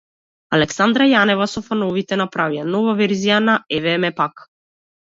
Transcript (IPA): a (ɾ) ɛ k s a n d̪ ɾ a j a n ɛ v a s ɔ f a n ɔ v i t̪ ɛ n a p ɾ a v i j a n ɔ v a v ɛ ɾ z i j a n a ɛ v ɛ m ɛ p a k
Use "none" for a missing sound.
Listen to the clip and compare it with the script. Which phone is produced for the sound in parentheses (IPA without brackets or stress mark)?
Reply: l